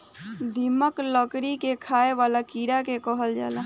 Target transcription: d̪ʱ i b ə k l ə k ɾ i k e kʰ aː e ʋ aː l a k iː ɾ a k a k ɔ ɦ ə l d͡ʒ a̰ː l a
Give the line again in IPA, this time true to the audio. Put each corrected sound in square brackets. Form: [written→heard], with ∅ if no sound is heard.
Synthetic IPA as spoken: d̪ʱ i [b→m] ə k l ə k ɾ i k e kʰ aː e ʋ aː l a k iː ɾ a k [a→e] k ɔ ɦ ə l d͡ʒ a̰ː l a